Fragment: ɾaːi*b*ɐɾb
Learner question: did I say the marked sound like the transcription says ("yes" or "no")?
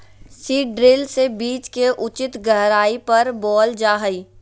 no